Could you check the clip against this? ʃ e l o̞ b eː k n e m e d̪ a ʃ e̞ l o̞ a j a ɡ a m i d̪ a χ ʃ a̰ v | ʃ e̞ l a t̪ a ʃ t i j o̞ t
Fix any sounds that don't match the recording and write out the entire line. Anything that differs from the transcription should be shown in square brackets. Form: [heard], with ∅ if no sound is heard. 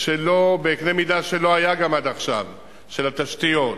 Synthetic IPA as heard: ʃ e l o̞ b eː k n e m [i] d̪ a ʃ e̞ l o̞ a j a ɡ a m [a] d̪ a χ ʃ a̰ v | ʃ e̞ l a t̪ a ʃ t i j o̞ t

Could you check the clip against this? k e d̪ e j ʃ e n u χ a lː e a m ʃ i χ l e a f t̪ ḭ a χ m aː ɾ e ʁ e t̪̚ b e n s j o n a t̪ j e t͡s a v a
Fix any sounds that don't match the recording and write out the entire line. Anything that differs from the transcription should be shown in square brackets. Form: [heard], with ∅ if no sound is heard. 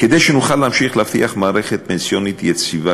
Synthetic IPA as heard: k e d̪ e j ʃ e n u χ a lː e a m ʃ i χ l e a f t̪ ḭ a χ m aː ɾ e [χ] e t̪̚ [p] e n s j o n [i] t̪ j e t͡s [i] v a

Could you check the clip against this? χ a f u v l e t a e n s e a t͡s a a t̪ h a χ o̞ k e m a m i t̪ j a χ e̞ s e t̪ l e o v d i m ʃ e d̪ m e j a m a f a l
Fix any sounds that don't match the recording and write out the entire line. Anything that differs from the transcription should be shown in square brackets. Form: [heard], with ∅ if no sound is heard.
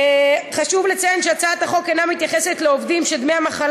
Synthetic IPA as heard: χ a [ʃ] u v l e [t͡s] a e n [ʃ] e a t͡s a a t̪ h a χ o̞ k e [n] a m i t̪ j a χ e̞ s e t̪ l e o v d i m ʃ e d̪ m e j a m a [χ] a l

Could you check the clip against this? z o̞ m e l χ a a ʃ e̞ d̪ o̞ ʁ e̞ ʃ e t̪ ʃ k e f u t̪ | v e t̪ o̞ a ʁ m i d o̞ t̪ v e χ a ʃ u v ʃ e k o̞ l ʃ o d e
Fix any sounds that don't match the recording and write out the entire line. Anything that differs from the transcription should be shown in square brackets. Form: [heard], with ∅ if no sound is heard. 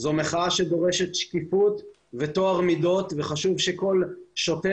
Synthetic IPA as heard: z o̞ m e [∅] χ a a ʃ e̞ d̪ o̞ ʁ e̞ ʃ e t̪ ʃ k [i] f u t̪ | v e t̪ o̞ a ʁ m i d o̞ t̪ v e χ a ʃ u v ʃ e k o̞ l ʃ o [t] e

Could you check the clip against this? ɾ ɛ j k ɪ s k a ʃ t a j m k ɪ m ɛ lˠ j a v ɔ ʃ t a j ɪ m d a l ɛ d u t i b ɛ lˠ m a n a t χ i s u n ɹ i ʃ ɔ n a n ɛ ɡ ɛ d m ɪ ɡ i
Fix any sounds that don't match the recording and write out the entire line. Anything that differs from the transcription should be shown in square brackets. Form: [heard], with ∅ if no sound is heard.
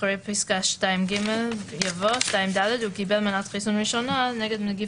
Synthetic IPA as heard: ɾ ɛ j [p] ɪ s k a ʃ t a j m [ɡ] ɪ m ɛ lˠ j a v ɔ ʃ t a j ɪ m d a l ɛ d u [k] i b ɛ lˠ m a n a t χ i s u n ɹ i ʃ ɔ n a n ɛ ɡ ɛ d m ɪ ɡ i

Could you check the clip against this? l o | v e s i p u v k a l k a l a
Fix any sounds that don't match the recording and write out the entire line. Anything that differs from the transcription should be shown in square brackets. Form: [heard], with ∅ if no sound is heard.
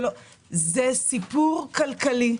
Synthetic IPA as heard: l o | [z] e s i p u [ʁ] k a l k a l [i]

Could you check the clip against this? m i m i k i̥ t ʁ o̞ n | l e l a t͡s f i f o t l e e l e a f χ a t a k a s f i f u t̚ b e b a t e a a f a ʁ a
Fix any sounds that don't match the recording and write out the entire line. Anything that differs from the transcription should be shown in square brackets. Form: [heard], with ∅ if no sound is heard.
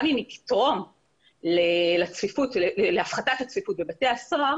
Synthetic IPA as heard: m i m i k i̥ t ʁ o̞ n | l e l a t͡s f i f [u] t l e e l e a f χ a t a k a [t͡s] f i f u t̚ b e b a t e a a [s] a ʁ a

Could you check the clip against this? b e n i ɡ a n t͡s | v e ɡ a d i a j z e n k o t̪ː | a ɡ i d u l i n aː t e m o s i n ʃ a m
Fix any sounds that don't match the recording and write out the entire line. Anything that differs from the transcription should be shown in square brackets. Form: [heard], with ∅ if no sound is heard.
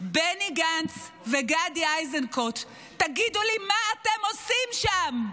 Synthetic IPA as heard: b e n i ɡ a n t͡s | v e ɡ a d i a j z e n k o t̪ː | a ɡ i d u l i [m] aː t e m o s i [m] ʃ a m

